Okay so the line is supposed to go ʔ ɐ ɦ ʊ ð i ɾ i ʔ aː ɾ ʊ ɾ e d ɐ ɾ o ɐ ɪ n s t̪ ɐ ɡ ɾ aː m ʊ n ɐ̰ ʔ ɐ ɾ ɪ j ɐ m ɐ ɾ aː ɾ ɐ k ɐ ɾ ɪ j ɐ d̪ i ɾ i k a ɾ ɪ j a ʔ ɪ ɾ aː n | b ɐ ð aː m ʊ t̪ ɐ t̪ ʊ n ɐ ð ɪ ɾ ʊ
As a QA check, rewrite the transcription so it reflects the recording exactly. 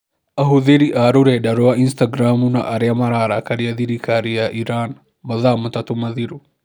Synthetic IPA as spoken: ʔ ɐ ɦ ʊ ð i ɾ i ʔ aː ɾ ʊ ɾ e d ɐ ɾ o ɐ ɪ n s t̪ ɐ ɡ ɾ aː m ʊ n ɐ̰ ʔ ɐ ɾ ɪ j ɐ m ɐ ɾ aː ɾ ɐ k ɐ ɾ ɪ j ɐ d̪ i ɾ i k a ɾ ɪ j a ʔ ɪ ɾ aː n | b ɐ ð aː m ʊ t̪ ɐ t̪ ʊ m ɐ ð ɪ ɾ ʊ